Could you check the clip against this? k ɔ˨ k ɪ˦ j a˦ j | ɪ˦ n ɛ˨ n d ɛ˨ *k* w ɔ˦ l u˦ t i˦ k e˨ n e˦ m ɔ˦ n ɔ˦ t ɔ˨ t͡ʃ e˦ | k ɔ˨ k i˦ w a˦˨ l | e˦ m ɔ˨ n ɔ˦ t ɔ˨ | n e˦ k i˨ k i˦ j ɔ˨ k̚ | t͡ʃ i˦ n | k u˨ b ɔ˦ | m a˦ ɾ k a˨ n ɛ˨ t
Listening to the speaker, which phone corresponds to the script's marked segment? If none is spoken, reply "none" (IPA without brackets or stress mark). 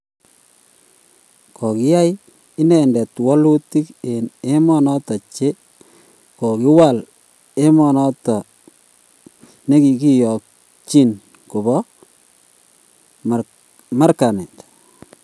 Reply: t